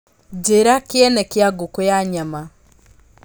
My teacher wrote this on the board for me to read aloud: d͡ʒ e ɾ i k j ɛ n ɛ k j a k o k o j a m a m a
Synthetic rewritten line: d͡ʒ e ɾ a k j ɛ n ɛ k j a ɡ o k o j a ɲ a m a